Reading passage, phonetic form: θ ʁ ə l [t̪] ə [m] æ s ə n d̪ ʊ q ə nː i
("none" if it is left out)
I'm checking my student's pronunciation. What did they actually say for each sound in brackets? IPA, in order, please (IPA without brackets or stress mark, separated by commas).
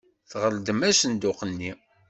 d̪, m